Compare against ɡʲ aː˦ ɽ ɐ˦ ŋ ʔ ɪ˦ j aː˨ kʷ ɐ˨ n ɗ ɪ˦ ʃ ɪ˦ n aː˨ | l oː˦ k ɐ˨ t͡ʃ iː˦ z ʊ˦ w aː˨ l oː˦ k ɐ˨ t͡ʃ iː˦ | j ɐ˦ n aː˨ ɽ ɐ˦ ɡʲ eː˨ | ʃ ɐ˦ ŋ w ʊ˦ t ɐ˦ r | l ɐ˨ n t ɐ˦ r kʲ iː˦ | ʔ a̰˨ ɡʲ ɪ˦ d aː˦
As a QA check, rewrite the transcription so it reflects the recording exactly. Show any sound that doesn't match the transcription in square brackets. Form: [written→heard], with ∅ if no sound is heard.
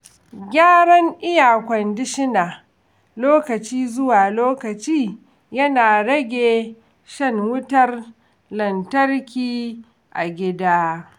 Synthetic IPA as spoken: ɡʲ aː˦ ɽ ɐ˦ ŋ ʔ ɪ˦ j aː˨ kʷ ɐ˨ n [ɗ→d] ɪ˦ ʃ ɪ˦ n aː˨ | l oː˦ k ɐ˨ t͡ʃ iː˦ z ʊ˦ w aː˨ l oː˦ k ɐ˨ t͡ʃ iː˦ | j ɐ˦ n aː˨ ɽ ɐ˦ ɡʲ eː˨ | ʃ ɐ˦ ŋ w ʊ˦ t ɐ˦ r | l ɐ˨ n t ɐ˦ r kʲ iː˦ | ʔ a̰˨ ɡʲ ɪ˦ d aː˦